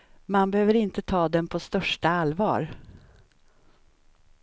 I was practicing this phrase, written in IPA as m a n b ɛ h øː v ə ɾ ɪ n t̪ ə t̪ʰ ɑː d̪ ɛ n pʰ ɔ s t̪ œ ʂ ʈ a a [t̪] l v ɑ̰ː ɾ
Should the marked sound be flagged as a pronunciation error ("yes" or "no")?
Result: yes